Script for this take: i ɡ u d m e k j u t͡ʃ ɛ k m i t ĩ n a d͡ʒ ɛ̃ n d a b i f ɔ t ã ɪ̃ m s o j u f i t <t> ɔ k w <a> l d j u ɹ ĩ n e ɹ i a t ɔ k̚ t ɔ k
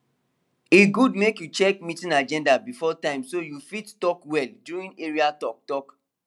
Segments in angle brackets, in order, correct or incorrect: correct, incorrect: ɛ

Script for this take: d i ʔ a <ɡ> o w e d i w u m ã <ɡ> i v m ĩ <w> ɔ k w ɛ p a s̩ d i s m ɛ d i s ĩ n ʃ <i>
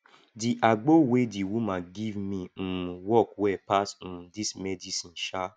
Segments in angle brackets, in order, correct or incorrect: incorrect: ɡ͡b, correct, correct, incorrect: a

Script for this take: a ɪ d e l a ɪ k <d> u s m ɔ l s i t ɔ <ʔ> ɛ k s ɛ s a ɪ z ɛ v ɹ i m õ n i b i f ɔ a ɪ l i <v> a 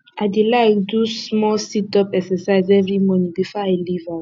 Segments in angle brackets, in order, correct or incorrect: correct, incorrect: p, correct

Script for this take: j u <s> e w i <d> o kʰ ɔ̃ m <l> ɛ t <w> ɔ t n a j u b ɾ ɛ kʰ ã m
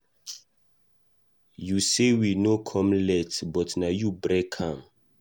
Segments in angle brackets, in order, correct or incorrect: correct, incorrect: n, correct, incorrect: b

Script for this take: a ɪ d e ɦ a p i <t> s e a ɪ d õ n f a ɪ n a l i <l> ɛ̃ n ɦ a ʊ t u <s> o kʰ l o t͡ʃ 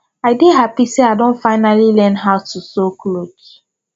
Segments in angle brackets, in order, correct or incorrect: incorrect: none, correct, correct

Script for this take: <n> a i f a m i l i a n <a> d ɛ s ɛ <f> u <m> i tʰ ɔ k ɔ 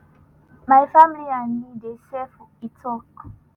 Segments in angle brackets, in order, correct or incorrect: incorrect: m, incorrect: i, correct, incorrect: none

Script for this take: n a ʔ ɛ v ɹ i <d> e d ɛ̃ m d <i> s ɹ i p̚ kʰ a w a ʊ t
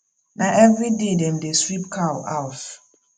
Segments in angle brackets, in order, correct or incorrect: correct, incorrect: e

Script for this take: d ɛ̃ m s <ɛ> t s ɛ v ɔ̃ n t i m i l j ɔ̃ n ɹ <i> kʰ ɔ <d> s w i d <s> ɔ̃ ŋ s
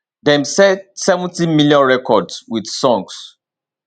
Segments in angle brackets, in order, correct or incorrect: correct, incorrect: ɛ, correct, correct

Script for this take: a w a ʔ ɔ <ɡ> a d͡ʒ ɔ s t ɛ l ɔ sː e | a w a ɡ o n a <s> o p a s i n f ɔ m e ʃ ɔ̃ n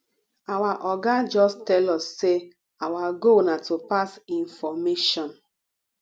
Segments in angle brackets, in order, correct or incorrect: correct, incorrect: t

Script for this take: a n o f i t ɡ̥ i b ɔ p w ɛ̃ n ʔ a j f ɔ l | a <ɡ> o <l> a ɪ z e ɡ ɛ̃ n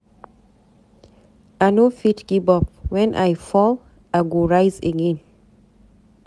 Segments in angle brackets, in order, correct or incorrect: correct, incorrect: ɹ

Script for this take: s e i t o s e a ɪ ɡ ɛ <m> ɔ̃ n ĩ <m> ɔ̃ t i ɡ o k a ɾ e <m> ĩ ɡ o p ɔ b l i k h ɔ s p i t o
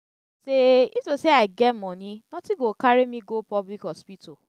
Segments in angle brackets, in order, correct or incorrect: correct, incorrect: n, correct

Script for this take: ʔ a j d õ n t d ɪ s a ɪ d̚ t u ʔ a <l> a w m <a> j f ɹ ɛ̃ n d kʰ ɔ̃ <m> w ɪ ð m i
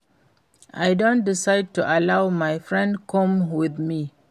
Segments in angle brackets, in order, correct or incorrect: correct, correct, correct

